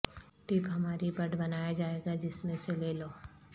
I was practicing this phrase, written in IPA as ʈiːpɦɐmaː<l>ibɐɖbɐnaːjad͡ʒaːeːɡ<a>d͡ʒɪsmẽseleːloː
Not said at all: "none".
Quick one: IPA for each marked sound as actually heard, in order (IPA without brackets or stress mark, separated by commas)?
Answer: ɾ, a